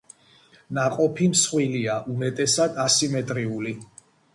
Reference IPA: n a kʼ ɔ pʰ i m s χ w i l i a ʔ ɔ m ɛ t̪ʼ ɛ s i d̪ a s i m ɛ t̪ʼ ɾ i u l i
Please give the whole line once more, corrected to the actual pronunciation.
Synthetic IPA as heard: n a qʼ ɔ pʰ i m s χ w i l i a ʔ u m ɛ t̪ʼ ɛ s a d̪ a s i m ɛ t̪ʼ ɾ i u l i